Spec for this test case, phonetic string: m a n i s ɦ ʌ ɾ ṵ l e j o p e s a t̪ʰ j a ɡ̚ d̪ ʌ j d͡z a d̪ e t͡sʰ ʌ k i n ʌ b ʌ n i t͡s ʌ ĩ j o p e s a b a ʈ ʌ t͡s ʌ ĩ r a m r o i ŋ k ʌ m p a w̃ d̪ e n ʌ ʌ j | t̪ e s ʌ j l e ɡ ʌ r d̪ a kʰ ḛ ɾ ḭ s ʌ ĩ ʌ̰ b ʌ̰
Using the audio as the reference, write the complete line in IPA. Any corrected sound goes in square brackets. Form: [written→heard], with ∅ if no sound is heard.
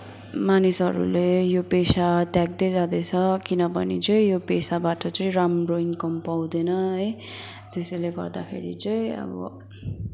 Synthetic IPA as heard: m a n i s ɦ ʌ ɾ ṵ l e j o p e s a [t̪ʰ→t̪] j a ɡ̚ d̪ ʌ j d͡z a d̪ e t͡sʰ ʌ k i n ʌ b ʌ n i t͡s ʌ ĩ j o p e s a b a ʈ ʌ t͡s ʌ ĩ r a m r o i ŋ k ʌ m p a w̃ d̪ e n ʌ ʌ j | t̪ e s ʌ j l e ɡ ʌ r d̪ a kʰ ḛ ɾ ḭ [s→t͡s] ʌ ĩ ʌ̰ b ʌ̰